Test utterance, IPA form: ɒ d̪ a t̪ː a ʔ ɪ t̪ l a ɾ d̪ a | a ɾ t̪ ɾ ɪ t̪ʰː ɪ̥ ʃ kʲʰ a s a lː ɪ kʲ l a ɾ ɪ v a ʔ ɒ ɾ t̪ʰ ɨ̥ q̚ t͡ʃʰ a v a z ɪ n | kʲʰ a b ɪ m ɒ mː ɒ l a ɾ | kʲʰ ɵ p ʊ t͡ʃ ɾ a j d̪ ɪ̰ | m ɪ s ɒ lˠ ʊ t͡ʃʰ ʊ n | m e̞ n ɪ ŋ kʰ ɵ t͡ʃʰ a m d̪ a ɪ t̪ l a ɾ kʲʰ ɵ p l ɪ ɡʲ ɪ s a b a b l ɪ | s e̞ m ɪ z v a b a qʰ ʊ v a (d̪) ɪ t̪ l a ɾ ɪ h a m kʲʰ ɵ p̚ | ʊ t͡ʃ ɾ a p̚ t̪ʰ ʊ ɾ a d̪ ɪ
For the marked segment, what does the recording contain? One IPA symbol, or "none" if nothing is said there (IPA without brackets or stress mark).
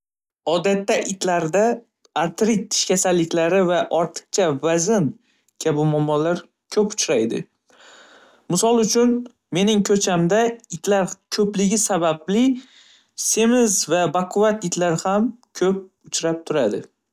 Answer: t̪